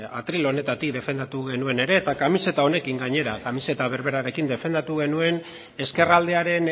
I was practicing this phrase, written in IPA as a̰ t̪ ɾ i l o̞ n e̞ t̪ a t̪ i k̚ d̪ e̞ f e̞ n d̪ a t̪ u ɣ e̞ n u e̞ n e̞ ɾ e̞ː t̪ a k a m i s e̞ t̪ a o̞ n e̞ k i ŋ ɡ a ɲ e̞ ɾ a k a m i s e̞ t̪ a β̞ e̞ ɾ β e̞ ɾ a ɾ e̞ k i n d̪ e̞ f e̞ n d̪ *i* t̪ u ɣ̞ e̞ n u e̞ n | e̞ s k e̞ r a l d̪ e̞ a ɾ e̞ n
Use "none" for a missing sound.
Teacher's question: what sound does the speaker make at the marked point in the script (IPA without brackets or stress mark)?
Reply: a